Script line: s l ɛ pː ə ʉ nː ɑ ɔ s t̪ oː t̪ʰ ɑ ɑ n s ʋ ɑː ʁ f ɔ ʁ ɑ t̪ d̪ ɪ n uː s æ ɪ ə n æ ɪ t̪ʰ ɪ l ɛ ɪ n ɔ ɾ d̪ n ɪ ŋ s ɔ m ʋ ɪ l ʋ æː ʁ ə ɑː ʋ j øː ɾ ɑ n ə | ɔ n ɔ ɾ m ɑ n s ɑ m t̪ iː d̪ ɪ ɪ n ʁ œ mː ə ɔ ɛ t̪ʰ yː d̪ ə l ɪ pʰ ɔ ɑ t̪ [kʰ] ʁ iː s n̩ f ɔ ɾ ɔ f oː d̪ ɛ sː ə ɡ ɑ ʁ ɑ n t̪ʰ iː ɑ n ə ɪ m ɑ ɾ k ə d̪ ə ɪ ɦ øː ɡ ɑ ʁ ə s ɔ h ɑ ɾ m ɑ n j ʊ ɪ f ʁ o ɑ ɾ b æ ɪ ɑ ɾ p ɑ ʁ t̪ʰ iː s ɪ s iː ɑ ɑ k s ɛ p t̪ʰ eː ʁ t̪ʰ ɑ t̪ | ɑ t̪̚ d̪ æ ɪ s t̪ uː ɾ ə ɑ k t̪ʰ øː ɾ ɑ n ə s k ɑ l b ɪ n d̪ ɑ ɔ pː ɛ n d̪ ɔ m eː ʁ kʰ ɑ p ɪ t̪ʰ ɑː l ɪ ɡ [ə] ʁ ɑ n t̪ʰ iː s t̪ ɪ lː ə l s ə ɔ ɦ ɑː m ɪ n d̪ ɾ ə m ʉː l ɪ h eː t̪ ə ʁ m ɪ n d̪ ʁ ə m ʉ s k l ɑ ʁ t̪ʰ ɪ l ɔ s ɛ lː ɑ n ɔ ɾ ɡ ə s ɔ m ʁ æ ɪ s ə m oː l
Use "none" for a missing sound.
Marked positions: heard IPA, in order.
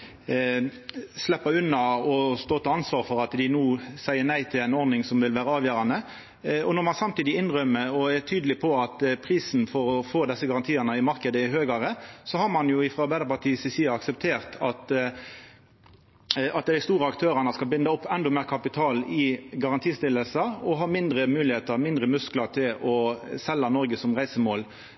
pʰ, ɑ

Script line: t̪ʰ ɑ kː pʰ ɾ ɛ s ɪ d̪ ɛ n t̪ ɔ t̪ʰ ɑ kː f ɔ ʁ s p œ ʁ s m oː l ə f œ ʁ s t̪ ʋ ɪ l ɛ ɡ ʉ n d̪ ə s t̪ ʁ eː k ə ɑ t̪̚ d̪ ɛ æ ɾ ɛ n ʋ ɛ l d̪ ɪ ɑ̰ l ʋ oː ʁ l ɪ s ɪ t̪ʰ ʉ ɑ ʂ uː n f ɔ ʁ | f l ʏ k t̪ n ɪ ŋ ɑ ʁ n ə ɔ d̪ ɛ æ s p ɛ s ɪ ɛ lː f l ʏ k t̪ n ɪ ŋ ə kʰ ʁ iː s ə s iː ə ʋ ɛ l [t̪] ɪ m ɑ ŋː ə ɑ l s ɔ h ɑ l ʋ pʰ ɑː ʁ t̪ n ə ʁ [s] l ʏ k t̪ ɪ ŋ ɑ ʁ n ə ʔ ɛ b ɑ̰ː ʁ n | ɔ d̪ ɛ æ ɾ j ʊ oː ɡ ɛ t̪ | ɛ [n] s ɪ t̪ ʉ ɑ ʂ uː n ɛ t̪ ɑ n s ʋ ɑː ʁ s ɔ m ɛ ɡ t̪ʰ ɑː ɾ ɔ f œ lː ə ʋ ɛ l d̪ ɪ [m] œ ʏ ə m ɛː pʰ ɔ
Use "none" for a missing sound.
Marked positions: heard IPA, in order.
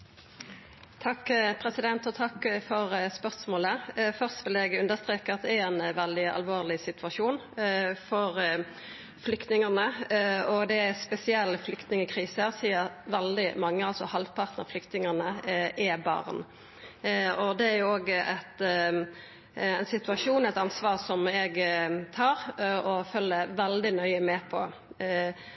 d̪, f, n, n

